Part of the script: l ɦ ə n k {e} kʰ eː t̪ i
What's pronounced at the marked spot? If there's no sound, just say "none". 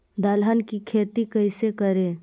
i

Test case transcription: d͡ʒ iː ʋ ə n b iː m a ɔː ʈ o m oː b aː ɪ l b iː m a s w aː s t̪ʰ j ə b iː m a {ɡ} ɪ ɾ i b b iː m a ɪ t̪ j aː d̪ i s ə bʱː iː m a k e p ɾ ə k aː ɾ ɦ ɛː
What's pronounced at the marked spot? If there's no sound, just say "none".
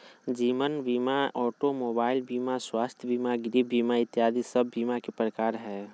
ɡ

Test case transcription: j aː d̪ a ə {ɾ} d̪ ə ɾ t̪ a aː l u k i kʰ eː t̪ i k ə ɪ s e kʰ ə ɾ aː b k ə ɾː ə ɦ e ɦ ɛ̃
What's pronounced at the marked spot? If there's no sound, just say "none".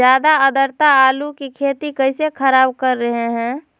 none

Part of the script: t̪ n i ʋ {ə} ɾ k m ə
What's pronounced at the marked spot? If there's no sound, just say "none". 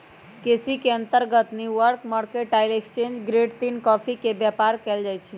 ə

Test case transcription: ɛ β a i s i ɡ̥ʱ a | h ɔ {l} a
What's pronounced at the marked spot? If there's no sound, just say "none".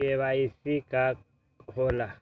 l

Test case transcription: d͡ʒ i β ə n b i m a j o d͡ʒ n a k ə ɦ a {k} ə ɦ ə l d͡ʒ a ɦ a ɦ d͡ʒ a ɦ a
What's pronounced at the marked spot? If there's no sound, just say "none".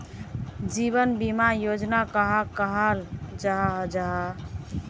k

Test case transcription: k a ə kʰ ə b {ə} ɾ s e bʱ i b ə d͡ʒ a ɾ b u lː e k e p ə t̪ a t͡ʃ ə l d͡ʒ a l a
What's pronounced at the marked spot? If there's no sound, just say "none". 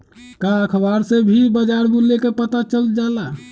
a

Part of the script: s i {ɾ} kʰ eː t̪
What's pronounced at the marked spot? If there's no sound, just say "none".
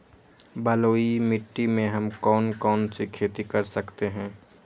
none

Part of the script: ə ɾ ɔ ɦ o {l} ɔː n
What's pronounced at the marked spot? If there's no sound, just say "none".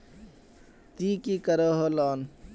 l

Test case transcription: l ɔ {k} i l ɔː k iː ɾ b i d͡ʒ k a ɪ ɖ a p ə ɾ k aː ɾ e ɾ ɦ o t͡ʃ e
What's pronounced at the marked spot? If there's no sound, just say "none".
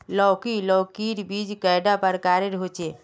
k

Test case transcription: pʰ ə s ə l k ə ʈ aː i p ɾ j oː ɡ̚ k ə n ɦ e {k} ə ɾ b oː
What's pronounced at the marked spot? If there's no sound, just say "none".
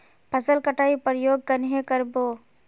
k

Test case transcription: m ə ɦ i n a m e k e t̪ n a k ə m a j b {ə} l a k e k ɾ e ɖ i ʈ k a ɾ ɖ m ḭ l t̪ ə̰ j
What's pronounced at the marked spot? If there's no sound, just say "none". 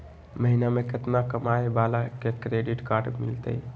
a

